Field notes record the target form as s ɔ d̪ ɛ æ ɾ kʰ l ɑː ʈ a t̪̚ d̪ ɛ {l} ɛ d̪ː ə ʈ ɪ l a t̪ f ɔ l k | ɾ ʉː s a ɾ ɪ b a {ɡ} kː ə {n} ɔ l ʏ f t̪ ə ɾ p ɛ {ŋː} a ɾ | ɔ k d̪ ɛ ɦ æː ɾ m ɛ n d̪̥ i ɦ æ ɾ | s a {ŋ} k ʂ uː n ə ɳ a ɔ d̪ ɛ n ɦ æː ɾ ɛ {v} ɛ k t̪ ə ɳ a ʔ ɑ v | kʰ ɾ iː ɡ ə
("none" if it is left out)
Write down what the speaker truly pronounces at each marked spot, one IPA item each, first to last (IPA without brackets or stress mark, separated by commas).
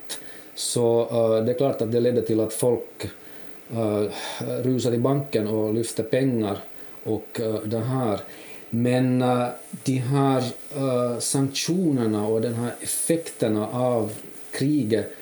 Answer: l, ŋ, n, ŋː, ŋ, f